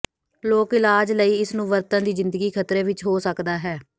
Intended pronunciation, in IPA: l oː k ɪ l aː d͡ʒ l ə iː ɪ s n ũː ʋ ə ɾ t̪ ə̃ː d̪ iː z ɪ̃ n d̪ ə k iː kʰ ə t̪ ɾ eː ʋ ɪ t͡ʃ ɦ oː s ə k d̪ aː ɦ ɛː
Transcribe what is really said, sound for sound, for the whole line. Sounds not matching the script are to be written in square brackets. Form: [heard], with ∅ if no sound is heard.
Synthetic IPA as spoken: l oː k ɪ l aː d͡ʒ l ə iː ɪ s n ũː ʋ ə ɾ t̪ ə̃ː d̪ iː z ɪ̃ n d̪ ə [ɡ] iː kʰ ə t̪ ɾ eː ʋ ɪ t͡ʃ ɦ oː s ə k d̪ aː ɦ ɛː